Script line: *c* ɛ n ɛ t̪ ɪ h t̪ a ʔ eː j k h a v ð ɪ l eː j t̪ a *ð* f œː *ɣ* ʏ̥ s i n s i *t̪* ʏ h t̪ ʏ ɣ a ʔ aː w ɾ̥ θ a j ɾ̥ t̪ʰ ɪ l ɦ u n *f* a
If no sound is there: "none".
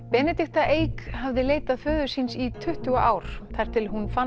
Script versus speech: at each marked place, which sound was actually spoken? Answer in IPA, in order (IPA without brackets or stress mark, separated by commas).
p, ð, ð, t̪ʰ, f